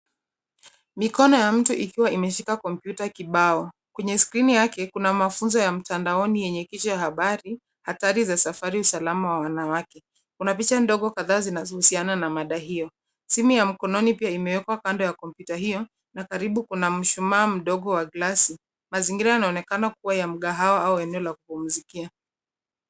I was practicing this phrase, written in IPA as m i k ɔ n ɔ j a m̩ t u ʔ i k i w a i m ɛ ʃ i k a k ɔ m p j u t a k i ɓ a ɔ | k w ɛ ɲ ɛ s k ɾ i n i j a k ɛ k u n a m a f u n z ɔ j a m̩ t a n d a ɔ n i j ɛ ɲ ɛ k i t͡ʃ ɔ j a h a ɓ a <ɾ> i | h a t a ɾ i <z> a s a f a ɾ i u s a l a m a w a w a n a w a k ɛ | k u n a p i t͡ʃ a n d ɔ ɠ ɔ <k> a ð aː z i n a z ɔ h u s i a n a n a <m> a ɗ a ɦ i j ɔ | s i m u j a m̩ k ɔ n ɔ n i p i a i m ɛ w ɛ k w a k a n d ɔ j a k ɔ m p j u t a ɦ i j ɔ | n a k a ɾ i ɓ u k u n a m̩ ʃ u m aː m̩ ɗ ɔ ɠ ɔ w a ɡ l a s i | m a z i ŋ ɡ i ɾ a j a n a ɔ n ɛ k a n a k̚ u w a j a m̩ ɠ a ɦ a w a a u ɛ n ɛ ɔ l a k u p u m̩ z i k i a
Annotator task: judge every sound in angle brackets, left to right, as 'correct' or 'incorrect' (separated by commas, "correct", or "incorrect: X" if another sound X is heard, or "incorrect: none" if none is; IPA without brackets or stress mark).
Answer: correct, correct, correct, correct